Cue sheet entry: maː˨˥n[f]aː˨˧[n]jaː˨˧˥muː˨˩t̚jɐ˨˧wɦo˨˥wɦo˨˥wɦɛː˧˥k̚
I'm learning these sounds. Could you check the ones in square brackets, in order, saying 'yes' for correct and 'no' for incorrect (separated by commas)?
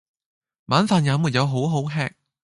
yes, yes